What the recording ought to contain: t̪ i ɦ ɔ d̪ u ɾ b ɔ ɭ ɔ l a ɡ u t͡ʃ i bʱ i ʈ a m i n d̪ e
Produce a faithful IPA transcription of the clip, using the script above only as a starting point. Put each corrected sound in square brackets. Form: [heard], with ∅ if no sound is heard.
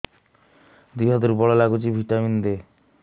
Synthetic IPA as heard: [d̪] i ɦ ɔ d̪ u ɾ b ɔ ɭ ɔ l a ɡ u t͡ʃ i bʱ i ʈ a m i n d̪ e